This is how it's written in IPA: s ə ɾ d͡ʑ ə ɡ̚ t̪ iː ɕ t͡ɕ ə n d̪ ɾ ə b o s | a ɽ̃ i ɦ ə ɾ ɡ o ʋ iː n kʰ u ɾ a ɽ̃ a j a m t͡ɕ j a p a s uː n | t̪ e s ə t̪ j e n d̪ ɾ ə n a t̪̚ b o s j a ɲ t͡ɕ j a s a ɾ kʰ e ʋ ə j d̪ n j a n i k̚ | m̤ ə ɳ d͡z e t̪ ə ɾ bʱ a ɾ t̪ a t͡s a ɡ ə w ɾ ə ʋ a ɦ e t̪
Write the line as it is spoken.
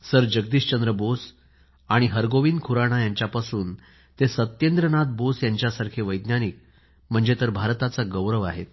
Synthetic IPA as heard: s ə ɾ d͡ʑ ə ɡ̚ d̪ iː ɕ t͡ɕ ə n d̪ ɾ ə b o s | a ɽ̃ i ɦ ə ɾ ɡ o ʋ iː n kʰ u ɾ a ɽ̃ a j a ɲ t͡ɕ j a p a s uː n | t̪ e s ə t̪ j e n d̪ ɾ ə n a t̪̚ b o s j a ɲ t͡ɕ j a s a ɾ kʰ e ʋ ə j d̪ n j a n i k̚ | m̤ ə ɳ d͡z e t̪ ə ɾ bʱ a ɾ t̪ a t͡s a ɡ ə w ɾ ə ʋ a ɦ e t̪